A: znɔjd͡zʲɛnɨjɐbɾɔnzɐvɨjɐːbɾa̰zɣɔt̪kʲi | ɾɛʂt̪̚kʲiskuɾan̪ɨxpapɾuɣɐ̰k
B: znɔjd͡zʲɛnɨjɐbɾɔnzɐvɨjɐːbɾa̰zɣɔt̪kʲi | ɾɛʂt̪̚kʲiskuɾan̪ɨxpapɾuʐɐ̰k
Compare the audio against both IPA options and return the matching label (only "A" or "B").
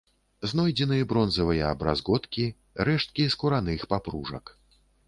B